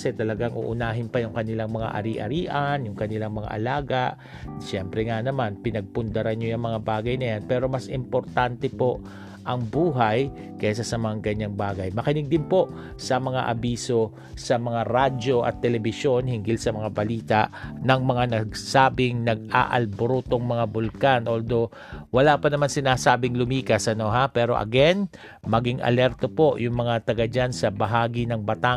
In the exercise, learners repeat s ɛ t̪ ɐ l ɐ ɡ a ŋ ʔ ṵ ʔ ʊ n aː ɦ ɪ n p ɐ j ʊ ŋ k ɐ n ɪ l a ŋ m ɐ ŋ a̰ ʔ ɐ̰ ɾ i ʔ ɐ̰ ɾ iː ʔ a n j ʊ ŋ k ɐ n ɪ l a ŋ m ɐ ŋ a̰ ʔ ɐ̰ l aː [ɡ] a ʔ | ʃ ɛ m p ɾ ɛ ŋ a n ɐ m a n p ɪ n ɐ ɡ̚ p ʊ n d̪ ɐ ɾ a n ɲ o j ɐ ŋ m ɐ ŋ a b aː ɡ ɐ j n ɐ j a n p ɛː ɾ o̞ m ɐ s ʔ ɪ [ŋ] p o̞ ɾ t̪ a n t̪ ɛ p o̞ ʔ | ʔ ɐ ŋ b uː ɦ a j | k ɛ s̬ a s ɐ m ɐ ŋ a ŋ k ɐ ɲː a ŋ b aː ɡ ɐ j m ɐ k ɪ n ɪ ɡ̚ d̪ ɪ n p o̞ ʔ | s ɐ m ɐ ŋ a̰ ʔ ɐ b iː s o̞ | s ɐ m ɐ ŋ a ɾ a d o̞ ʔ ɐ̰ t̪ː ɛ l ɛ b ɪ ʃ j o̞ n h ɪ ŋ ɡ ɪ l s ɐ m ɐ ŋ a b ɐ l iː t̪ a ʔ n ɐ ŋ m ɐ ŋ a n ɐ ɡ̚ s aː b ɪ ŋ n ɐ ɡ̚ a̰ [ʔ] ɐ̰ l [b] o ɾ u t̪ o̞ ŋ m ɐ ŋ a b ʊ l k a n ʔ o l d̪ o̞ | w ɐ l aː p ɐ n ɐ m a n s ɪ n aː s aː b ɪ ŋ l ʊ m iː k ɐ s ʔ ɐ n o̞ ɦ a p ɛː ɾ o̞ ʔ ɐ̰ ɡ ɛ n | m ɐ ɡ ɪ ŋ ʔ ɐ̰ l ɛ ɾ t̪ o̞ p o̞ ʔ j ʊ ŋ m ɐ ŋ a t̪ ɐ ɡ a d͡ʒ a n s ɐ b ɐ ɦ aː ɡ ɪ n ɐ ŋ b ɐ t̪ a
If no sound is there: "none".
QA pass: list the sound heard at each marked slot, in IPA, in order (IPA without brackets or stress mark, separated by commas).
ɡ, m, ʔ, b